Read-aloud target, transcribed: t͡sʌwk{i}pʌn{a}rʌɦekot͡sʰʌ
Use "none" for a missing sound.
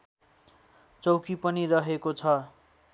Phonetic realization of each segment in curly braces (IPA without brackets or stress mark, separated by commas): i, i